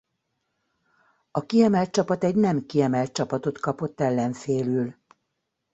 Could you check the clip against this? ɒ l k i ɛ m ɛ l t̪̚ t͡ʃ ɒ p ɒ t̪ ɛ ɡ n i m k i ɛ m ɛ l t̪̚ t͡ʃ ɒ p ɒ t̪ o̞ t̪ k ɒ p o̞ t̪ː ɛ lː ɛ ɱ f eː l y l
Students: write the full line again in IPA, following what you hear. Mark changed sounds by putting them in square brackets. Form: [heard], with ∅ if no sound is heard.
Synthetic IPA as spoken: ɒ [∅] k i ɛ m ɛ l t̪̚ t͡ʃ ɒ p ɒ t̪ ɛ [ɟ] n [ɛ] m k i ɛ m ɛ l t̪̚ t͡ʃ ɒ p ɒ t̪ o̞ t̪ k ɒ p o̞ t̪ː ɛ lː ɛ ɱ f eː l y l